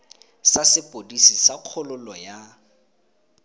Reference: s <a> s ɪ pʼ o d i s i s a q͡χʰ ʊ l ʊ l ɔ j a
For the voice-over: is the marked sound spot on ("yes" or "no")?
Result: yes